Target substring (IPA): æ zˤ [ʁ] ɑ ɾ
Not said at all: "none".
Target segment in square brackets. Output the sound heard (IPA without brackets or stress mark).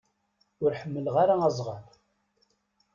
ʁ